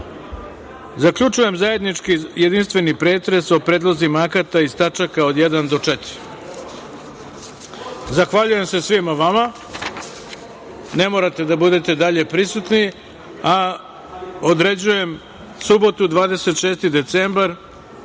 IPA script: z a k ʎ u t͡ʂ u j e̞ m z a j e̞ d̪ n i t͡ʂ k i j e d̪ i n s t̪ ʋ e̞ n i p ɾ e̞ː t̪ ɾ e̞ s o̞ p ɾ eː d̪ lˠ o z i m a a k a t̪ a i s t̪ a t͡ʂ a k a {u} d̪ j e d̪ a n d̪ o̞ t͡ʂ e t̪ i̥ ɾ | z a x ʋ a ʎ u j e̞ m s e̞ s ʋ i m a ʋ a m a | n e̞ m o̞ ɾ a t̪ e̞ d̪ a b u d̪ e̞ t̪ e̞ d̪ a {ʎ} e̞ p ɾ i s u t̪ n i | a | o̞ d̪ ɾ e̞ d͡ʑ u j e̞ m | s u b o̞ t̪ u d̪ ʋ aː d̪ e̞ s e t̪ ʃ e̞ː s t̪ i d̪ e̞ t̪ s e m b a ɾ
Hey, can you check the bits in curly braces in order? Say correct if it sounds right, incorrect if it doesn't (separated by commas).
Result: incorrect, correct